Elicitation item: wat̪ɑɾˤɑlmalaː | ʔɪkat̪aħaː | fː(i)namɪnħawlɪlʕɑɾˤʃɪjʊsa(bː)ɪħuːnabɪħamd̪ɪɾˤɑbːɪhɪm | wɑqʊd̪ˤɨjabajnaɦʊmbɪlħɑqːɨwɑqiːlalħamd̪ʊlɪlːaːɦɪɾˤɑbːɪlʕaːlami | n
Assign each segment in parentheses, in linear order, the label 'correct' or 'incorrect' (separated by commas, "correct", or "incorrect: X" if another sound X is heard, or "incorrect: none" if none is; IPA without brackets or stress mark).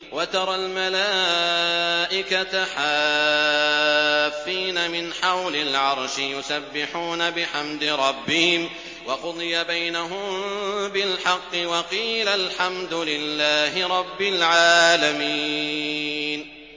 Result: incorrect: iː, correct